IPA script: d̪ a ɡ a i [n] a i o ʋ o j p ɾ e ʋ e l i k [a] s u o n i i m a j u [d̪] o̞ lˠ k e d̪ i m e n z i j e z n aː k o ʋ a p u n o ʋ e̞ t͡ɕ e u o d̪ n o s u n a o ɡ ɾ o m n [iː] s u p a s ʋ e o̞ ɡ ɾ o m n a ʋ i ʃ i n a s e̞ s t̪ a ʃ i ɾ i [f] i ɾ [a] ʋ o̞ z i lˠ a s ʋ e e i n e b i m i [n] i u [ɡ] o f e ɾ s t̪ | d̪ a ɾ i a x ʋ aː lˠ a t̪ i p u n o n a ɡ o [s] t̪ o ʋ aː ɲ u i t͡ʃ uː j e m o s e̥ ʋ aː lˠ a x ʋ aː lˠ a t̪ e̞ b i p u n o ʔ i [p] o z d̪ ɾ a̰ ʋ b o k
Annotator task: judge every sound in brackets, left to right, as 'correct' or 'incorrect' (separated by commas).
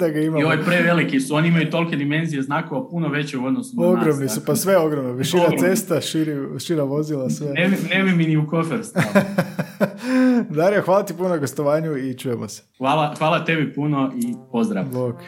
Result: incorrect, incorrect, incorrect, incorrect, incorrect, correct, correct, incorrect, correct, correct